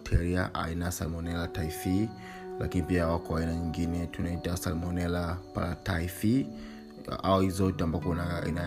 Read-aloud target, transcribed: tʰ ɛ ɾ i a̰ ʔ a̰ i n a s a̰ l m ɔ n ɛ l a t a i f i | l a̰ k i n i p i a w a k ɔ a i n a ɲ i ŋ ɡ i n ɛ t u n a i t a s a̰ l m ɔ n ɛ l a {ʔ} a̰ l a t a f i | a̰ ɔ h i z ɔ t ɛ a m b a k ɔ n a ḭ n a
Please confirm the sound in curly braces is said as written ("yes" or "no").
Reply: no